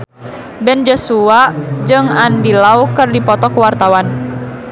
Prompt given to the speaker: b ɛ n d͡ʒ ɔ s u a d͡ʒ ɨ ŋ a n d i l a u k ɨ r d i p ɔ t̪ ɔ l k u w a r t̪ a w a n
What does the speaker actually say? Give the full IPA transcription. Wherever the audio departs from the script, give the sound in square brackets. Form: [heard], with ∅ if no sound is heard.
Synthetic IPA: b ɛ n d͡ʒ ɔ s u a d͡ʒ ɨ ŋ a n d i l a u k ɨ r d i p ɔ t̪ ɔ [∅] k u w a r t̪ a w a n